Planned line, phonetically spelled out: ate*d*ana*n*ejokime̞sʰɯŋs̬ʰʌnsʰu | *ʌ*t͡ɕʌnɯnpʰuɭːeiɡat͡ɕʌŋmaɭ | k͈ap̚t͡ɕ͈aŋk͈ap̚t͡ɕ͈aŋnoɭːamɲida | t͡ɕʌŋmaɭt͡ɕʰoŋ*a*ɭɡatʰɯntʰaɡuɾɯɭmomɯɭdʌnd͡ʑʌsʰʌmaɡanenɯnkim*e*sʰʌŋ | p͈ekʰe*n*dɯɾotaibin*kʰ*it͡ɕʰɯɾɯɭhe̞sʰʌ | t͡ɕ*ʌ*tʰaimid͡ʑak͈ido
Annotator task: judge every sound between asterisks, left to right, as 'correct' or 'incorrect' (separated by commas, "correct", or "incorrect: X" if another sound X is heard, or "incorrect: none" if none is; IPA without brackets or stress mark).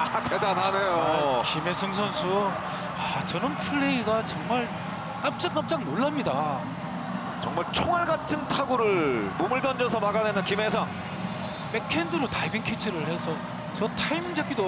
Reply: correct, correct, incorrect: a, correct, correct, correct, correct, correct